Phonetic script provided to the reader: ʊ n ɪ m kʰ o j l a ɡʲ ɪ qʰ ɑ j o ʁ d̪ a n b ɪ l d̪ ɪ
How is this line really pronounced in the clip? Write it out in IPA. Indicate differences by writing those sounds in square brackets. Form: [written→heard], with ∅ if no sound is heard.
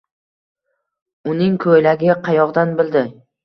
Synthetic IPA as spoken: ʊ n ɪ [m→ŋ] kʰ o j l a ɡʲ ɪ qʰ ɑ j [o→ɒ] ʁ d̪ a n b ɪ l d̪ ɪ